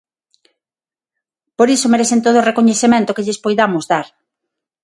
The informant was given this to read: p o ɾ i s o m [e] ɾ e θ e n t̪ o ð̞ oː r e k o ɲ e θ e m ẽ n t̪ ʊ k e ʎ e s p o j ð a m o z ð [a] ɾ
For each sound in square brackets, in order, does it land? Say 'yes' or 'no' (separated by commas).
yes, yes